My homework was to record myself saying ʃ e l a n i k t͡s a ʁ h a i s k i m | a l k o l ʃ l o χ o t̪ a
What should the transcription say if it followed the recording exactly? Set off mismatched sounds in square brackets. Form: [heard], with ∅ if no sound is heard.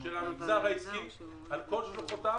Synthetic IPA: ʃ e l a [m] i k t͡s a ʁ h a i s k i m | a l k o l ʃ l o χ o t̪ a

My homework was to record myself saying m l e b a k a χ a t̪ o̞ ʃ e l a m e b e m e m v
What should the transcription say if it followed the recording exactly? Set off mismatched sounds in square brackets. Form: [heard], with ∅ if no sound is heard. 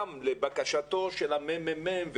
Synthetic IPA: m l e b a k a [ʃ] a t̪ o̞ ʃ e l a m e [m] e m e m v

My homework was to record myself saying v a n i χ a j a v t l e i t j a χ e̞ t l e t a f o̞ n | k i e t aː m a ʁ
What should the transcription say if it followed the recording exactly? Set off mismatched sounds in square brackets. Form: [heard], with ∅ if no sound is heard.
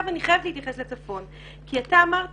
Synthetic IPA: v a n i χ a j a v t l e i t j a χ e̞ [s] l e [t͡s] a f o̞ n | k i [a] t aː m a ʁ

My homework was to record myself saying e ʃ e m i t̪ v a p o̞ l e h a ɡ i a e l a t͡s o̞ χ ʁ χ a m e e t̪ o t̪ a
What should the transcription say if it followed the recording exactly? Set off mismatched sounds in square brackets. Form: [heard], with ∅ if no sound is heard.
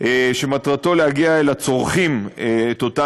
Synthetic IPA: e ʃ e m [a] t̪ [ʁ] a [t] o̞ l e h a ɡ i a e l a t͡s o̞ [∅] ʁ χ [i] m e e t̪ o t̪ a

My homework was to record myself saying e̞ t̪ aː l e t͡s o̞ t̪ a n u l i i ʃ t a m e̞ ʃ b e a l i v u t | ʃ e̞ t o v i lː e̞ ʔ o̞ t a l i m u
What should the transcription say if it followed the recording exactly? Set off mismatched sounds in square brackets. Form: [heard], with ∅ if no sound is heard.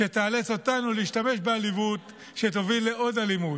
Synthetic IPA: e̞ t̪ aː l e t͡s o̞ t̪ a n u l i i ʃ t a m e̞ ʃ b e a l i v u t | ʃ e̞ t o v i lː e̞ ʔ o̞ [d] a l i m u

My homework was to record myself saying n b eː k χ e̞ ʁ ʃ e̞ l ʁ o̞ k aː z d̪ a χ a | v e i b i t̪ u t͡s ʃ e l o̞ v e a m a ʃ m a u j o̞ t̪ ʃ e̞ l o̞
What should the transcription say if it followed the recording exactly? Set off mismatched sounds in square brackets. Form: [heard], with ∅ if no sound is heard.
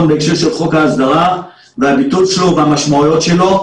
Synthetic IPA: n b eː k [ʃ] e̞ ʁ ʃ e̞ l [χ] o̞ k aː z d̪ a [ʁ] a | v e [a] b i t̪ u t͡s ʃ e l o̞ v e a m a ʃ m a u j o̞ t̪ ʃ e̞ l o̞

